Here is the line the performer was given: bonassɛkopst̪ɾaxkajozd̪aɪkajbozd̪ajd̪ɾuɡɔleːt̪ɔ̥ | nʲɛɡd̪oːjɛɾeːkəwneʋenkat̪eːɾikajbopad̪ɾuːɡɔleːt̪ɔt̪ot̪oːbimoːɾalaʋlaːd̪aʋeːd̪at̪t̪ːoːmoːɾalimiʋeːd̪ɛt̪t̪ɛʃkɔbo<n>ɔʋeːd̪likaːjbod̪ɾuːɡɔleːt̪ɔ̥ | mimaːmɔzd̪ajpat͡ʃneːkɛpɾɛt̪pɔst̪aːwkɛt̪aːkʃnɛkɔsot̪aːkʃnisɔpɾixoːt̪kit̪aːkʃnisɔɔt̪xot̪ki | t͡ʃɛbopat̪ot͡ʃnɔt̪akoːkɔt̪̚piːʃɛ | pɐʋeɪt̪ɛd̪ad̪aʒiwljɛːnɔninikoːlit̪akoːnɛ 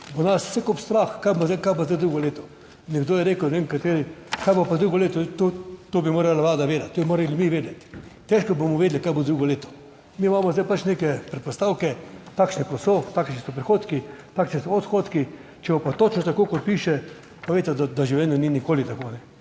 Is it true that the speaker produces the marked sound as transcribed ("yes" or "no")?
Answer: no